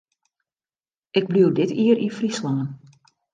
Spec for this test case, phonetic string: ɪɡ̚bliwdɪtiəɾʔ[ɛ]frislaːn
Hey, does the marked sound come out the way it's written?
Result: no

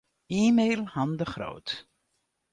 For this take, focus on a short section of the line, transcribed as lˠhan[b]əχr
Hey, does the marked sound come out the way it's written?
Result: no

